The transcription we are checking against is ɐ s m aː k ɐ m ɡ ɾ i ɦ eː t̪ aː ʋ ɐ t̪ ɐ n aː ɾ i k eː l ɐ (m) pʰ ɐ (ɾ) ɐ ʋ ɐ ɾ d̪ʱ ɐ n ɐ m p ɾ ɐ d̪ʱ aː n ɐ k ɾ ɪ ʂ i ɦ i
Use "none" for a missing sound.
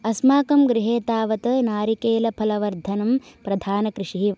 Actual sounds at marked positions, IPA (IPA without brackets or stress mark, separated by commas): none, l